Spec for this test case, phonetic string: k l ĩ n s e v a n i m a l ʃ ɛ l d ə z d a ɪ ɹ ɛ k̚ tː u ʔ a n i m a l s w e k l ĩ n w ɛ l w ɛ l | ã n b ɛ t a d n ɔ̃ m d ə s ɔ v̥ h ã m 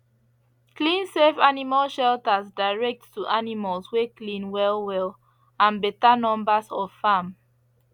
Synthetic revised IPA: k l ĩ n s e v a n i m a l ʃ ɛ l t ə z d a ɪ ɹ ɛ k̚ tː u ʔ a n i m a l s w e k l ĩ n w ɛ l w ɛ l | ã n b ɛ t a n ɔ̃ m b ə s ɔ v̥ f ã m